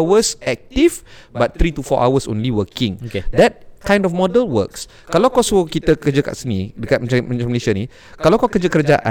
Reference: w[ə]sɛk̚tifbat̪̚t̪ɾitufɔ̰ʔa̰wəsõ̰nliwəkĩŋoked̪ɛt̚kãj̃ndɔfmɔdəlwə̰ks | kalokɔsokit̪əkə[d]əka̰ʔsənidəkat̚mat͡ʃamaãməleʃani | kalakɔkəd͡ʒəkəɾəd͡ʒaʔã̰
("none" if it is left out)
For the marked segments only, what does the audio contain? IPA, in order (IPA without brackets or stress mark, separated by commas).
ə, d͡ʒ